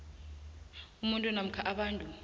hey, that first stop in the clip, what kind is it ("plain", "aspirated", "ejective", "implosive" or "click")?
ejective